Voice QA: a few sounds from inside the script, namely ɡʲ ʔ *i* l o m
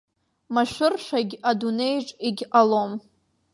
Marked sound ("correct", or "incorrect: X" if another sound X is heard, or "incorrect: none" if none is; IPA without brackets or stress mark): incorrect: a